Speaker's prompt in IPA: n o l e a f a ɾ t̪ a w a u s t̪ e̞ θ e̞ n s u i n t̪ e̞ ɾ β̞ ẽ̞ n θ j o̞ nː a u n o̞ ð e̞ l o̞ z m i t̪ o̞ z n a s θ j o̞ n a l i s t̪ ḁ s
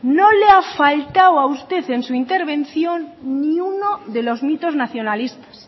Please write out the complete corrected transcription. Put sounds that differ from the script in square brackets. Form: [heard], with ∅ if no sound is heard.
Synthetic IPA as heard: n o l e a f a [l] t̪ a w a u s t̪ e̞ θ e̞ n s u i n t̪ e̞ ɾ β̞ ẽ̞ n θ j o̞ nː [i] u n o̞ ð e̞ l o̞ z m i t̪ o̞ z n a [∅] θ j o̞ n a l i s t̪ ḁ s